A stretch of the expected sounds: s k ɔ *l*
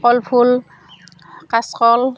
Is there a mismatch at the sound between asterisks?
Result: no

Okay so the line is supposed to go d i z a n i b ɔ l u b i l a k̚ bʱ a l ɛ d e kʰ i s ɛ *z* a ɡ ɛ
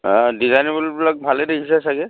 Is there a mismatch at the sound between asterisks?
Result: yes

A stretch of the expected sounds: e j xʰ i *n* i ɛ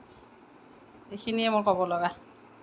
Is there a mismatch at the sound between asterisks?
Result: no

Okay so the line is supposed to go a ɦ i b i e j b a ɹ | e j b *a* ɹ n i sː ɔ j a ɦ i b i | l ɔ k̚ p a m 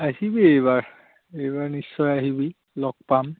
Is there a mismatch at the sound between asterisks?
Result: no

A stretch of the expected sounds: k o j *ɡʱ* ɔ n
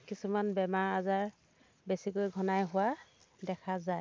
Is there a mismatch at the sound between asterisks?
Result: no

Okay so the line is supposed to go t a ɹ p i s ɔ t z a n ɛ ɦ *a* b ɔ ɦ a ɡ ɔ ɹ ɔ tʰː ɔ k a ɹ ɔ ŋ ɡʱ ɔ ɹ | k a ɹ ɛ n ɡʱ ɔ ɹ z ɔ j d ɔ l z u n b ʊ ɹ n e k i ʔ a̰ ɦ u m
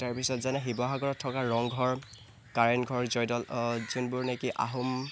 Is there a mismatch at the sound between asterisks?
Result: yes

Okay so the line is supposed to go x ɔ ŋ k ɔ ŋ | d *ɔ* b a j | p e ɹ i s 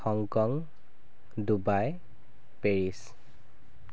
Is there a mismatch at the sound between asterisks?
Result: yes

